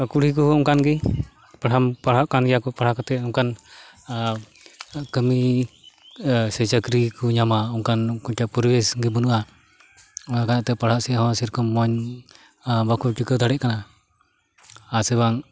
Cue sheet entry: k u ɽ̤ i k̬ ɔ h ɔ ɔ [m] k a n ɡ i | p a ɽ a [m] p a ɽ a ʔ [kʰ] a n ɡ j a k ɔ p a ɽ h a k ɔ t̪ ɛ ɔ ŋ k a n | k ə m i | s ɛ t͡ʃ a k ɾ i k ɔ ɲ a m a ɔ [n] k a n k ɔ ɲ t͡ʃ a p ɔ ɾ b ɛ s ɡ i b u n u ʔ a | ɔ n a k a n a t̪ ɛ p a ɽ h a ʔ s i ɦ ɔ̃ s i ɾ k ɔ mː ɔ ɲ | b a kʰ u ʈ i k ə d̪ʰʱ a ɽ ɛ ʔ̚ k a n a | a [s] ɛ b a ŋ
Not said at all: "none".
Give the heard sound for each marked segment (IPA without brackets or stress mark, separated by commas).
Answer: ŋ, m, k, ŋ, s